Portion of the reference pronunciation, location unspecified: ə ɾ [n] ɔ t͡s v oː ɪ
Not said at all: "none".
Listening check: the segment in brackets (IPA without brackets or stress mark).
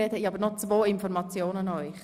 n